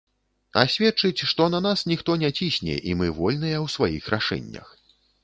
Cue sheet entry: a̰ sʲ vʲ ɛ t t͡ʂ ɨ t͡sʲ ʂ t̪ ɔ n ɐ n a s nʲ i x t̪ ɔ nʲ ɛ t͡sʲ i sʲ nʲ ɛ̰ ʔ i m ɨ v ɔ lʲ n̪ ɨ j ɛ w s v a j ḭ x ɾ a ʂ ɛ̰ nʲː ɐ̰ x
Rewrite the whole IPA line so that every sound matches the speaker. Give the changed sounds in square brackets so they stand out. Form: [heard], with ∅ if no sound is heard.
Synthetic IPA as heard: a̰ sʲ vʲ ɛ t t͡ʂ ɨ t͡sʲ ʂ t̪ ɔ n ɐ n a s nʲ i x t̪ ɔ nʲ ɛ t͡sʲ i sʲ nʲ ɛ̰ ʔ i m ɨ v ɔ lʲ n̪ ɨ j ɛ w s v a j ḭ x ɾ a ʂ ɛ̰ nʲː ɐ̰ x